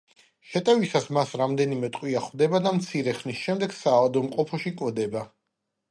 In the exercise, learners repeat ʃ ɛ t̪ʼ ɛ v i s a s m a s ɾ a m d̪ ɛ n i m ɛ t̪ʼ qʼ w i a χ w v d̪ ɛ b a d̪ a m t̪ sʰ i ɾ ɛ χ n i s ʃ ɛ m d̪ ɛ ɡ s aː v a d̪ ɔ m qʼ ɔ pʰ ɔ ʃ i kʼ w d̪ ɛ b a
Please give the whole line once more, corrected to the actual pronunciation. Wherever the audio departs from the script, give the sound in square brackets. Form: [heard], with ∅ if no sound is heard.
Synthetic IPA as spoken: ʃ ɛ t̪ʼ ɛ v i s a s m a s ɾ a m d̪ ɛ n i m ɛ t̪ʼ qʼ w i a χ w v d̪ ɛ b a d̪ a m t̪ sʰ i ɾ ɛ χ n i s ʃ ɛ m d̪ ɛ ɡ s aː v a d̪ ɔ m qʼ ɔ pʰ ɔ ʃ i kʼ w d̪ ɛ b a